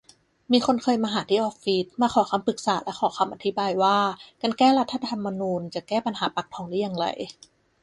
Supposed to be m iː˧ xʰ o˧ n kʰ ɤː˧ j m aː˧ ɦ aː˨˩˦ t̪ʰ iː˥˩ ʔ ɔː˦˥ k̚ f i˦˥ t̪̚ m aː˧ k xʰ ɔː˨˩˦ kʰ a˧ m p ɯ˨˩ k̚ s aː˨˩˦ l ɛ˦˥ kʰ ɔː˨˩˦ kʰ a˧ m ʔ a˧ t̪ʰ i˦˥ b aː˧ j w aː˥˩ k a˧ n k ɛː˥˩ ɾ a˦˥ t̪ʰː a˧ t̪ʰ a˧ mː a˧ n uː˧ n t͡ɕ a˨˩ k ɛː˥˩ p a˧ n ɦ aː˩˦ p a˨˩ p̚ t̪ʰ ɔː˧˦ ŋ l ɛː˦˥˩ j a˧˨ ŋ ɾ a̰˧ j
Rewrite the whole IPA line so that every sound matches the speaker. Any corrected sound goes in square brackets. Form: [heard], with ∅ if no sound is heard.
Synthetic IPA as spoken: m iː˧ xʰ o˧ n kʰ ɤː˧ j m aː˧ ɦ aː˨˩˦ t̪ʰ iː˥˩ ʔ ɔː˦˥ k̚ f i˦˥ t̪̚ m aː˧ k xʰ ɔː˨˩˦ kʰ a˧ m p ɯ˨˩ k̚ s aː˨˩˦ l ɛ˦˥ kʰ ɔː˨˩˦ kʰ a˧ m ʔ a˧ t̪ʰ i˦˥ b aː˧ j w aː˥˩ k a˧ n k ɛː˥˩ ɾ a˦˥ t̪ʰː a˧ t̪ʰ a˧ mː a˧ n uː˧ n t͡ɕ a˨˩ k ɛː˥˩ p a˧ n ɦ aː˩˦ p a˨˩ [k̚] t̪ʰ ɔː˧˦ ŋ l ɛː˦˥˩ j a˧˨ ŋ ɾ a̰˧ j

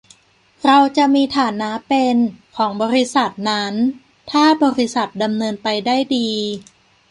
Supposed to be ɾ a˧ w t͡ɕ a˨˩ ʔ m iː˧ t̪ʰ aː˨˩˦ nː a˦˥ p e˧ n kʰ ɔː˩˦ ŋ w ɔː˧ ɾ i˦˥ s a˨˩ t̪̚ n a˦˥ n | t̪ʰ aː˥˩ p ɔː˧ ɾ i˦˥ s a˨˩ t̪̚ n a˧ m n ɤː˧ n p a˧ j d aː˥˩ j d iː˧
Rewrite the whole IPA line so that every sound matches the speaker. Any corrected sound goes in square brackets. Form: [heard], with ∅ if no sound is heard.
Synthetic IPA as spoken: ɾ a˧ w t͡ɕ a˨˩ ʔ m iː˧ t̪ʰ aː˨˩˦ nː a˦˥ p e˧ n kʰ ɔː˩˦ ŋ [b] ɔː˧ ɾ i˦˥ s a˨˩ t̪̚ n a˦˥ n | t̪ʰ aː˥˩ [b] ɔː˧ ɾ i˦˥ s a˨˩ t̪̚ [d] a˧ m n ɤː˧ n p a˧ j d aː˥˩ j d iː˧

